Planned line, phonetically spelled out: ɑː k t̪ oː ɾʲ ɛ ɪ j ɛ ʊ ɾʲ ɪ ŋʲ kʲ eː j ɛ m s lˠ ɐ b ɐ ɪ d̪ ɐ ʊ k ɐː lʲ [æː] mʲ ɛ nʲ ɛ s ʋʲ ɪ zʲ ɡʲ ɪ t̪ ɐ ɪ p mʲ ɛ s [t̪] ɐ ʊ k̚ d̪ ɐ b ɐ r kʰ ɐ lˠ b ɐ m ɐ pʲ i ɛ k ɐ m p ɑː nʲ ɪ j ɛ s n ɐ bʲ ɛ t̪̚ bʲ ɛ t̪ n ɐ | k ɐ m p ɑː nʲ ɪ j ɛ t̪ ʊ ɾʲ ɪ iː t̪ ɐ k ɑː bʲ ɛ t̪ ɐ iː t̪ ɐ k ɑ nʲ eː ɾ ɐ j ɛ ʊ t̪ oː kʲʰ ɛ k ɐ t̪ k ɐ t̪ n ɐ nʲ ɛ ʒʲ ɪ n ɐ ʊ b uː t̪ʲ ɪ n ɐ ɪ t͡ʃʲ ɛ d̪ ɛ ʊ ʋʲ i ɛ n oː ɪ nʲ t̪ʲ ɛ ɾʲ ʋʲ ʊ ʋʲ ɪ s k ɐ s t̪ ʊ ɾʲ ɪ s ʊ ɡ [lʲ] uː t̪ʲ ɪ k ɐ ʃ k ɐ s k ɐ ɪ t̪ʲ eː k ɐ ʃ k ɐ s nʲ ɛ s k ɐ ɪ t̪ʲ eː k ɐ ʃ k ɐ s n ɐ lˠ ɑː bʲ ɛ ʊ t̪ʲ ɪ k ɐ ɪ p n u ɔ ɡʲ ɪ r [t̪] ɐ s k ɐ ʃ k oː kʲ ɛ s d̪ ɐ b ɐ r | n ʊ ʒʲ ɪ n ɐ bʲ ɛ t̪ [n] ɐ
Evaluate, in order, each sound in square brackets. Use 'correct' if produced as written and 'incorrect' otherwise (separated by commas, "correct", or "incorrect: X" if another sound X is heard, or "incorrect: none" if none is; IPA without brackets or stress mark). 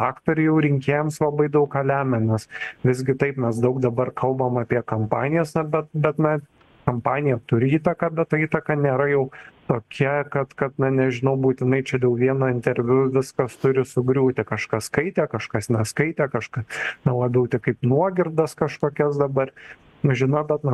correct, incorrect: d̪, incorrect: ɾʲ, incorrect: d̪, correct